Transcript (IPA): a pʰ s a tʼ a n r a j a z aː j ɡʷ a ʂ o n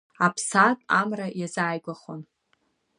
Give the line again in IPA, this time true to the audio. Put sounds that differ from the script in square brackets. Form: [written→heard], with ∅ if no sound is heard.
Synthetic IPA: a pʰ s a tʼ a [n→m] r a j a z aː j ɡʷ a [ʂ→χ] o n